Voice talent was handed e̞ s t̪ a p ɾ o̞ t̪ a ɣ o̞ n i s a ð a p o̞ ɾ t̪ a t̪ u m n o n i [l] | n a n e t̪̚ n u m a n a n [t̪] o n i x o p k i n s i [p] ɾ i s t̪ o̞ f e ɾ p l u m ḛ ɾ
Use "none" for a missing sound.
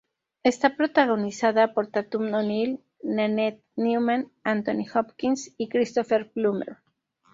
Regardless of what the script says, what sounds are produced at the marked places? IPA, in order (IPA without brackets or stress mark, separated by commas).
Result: l, t̪, k